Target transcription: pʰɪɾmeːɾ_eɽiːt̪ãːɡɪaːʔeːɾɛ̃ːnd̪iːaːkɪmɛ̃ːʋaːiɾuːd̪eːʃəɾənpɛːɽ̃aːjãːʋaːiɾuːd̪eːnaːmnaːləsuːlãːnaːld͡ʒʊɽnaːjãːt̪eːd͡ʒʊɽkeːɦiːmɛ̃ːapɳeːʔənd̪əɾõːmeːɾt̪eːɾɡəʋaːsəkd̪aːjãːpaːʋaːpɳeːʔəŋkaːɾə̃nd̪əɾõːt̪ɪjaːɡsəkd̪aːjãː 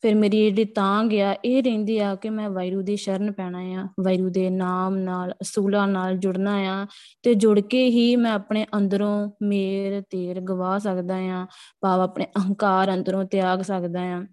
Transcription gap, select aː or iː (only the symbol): iː